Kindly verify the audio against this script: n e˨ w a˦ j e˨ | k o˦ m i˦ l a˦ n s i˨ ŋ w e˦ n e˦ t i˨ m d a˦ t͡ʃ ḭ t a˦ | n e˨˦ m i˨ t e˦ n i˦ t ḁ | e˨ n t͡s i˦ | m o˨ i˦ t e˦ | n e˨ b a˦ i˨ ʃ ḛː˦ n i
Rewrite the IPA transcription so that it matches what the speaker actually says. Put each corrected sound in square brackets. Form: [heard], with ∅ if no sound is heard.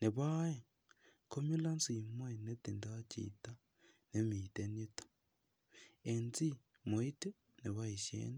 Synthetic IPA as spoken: n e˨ [β] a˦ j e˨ | k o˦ m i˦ l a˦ n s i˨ [m] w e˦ n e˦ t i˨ [n] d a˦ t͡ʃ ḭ t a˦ | n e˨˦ m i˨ t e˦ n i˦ t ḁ | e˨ n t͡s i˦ | m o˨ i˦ t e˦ | n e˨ [β] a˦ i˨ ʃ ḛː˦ n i